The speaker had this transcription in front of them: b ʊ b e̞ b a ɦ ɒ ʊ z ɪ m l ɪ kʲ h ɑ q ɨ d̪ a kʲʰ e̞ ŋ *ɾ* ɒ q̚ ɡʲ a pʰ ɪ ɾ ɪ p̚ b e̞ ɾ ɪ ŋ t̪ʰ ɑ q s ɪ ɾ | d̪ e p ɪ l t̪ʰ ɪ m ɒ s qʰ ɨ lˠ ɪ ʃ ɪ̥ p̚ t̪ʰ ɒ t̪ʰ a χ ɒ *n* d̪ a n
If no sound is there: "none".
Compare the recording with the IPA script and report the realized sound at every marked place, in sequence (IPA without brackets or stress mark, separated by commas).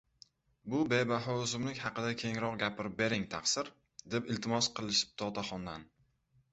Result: ɾ, n